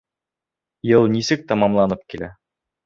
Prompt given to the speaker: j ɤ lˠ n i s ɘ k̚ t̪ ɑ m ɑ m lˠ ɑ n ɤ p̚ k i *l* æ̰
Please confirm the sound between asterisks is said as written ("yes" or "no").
yes